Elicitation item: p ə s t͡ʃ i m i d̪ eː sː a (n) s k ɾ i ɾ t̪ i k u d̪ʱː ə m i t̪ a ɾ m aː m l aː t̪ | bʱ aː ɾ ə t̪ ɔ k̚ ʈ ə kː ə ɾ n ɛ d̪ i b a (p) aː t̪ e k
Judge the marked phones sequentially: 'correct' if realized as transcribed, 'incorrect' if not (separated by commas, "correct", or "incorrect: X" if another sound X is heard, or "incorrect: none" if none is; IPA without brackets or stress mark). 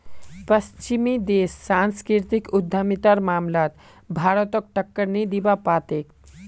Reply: correct, correct